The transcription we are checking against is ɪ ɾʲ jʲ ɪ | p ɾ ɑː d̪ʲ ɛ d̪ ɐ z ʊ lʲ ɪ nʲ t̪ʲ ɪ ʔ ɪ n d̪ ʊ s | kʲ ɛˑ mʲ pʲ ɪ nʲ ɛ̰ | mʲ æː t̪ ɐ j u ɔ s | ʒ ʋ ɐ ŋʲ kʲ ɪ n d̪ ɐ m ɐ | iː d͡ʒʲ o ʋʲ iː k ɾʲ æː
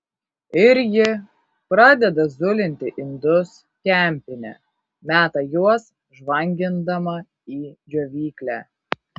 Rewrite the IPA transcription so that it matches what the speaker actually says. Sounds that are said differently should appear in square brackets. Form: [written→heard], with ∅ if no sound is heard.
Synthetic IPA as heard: ɪ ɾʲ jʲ ɪ | p ɾ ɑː d̪ʲ ɛ d̪ ɐ z ʊ lʲ ɪ nʲ t̪ʲ ɪ ʔ ɪ n d̪ ʊ s | kʲ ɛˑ mʲ pʲ ɪ nʲ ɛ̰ | mʲ æː t̪ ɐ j u ɔ s | ʒ ʋ ɐ ŋʲ [kʲ→ɡʲ] ɪ n d̪ ɐ m ɐ | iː d͡ʒʲ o ʋʲ iː k [ɾʲ→lʲ] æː

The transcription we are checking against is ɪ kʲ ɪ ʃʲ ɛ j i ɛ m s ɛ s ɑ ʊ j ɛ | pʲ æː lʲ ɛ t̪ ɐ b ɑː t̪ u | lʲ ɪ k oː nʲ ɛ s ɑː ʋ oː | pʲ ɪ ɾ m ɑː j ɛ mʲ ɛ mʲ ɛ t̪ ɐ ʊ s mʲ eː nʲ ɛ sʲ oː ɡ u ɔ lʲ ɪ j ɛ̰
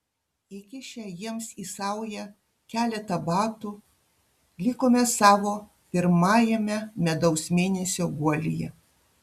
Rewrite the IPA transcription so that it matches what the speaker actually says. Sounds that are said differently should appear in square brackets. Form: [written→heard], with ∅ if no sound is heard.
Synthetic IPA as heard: ɪ kʲ ɪ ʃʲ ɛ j i ɛ m s [ɛ→i] s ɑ ʊ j ɛ | [pʲ→kʲ] æː lʲ ɛ t̪ ɐ b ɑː t̪ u | lʲ ɪ k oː [nʲ→mʲ] ɛ s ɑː ʋ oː | pʲ ɪ ɾ m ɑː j ɛ mʲ ɛ mʲ ɛ [t̪→d̪] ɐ ʊ s mʲ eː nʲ ɛ sʲ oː ɡ u ɔ lʲ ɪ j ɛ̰

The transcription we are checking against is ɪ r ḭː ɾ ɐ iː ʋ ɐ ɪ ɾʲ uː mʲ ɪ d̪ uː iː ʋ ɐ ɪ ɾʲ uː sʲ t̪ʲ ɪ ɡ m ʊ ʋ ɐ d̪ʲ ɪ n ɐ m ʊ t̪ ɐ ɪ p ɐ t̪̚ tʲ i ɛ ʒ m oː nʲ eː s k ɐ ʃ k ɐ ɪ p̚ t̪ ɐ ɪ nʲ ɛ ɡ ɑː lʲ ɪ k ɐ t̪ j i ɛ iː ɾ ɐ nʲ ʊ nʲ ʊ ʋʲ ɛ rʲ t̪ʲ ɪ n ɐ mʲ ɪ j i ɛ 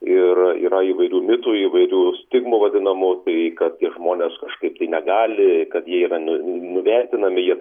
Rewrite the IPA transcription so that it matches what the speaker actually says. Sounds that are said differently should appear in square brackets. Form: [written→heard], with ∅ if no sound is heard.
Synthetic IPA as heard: ɪ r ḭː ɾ ɐ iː ʋ ɐ ɪ ɾʲ uː mʲ ɪ [d̪→t̪] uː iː ʋ ɐ ɪ ɾʲ uː sʲ t̪ʲ ɪ ɡ m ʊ ʋ ɐ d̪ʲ ɪ n ɐ m ʊ t̪ ɐ ɪ [p→k] ɐ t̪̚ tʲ i ɛ ʒ m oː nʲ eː s k ɐ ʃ k ɐ ɪ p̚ t̪ ɐ ɪ nʲ ɛ ɡ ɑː lʲ ɪ k ɐ t̪ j i ɛ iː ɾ ɐ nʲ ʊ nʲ ʊ ʋʲ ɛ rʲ t̪ʲ ɪ n ɐ mʲ ɪ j i ɛ

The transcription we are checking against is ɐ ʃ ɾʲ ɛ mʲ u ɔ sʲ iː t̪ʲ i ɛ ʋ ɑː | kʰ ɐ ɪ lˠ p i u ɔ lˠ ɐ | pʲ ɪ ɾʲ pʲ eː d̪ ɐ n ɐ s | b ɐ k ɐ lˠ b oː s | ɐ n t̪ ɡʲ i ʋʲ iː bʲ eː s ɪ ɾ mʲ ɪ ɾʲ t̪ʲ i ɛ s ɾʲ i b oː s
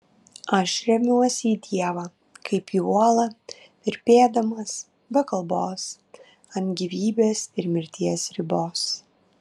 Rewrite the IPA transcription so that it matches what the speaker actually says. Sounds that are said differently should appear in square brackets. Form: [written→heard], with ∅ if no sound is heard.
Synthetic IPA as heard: ɐ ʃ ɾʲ ɛ mʲ u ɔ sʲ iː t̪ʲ i ɛ ʋ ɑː | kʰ ɐ ɪ [lˠ→∅] p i u ɔ lˠ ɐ | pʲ ɪ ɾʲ pʲ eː d̪ ɐ [n→m] ɐ s | b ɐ k ɐ lˠ b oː s | ɐ n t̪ ɡʲ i ʋʲ iː bʲ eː s ɪ ɾ mʲ ɪ ɾʲ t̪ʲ i ɛ s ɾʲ [i→ɪ] b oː s

